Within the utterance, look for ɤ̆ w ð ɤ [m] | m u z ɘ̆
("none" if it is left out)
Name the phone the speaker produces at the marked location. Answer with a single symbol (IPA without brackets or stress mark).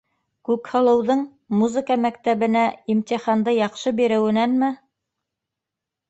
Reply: ɴ